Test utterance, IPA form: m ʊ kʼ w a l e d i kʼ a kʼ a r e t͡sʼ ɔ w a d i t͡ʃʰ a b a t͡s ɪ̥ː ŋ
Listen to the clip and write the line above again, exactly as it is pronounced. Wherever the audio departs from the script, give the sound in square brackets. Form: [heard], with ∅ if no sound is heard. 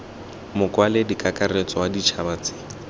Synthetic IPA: m ʊ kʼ w a l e d i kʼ a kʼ a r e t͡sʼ ɔ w a d i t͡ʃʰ a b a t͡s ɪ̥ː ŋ